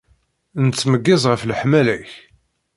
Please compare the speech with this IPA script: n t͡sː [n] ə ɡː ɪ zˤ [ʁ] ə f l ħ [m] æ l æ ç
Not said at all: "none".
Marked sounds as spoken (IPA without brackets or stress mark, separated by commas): m, ʁ, m